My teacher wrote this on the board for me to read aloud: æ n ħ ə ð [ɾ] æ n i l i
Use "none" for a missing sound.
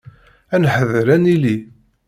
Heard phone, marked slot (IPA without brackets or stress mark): ɾ